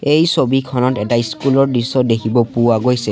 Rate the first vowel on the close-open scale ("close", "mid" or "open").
mid